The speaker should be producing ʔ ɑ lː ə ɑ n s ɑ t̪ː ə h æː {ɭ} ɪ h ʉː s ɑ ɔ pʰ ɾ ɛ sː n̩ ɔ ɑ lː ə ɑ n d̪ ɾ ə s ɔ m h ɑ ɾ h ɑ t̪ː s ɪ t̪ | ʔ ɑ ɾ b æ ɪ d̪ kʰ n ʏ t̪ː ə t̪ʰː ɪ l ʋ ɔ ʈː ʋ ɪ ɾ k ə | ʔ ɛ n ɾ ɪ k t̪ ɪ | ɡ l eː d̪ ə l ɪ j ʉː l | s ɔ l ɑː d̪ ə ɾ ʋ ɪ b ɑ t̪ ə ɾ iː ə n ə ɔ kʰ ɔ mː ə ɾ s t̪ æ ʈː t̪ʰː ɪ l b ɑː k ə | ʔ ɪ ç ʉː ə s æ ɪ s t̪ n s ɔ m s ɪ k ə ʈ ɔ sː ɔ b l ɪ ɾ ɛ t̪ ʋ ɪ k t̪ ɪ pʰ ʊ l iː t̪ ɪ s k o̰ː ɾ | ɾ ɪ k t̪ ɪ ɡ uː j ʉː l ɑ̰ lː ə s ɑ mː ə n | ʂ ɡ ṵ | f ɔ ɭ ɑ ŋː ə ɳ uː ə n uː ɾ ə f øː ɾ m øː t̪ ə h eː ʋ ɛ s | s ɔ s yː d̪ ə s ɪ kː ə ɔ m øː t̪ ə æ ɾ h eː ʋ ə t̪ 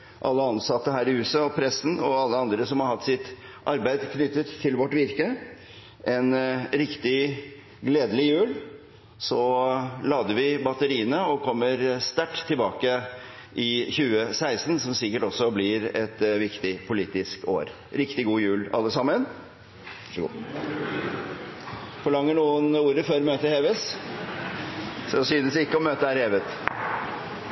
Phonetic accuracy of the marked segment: incorrect: ɾ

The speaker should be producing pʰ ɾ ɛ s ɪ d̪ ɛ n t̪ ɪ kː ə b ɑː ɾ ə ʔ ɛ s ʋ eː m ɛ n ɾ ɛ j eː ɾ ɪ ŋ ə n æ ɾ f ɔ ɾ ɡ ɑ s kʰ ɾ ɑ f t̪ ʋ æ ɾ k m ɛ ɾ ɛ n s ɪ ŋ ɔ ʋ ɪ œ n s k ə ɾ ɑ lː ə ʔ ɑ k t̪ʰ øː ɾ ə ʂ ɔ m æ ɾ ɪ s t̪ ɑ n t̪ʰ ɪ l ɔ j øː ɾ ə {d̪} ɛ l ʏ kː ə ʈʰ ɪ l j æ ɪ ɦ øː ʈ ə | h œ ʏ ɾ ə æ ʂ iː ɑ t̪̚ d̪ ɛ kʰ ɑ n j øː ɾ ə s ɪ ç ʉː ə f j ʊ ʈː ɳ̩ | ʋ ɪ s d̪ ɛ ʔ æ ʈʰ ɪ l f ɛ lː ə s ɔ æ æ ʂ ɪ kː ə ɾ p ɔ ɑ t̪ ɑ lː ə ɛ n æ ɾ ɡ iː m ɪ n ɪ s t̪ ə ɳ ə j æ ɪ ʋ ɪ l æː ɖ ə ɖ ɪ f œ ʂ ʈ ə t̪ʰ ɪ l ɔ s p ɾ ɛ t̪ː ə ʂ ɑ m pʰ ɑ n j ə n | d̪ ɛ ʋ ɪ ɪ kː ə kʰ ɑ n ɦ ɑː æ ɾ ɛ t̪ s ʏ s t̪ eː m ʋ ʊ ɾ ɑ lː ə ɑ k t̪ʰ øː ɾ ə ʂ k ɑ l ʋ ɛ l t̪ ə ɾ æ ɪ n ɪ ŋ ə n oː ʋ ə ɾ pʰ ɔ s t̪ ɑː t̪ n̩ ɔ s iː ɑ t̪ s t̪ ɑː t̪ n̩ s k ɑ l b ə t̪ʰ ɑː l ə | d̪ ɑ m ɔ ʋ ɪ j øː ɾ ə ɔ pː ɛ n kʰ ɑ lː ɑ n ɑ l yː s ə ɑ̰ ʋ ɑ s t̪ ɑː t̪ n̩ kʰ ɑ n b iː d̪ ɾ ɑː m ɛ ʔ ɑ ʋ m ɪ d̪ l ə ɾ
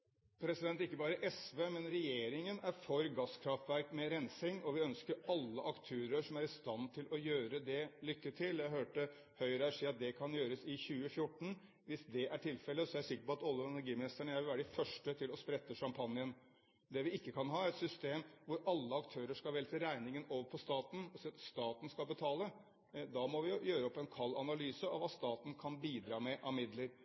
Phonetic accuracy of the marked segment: correct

